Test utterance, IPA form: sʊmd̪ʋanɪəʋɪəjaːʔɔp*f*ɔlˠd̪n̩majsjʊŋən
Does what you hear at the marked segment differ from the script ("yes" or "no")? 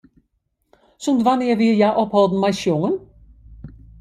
yes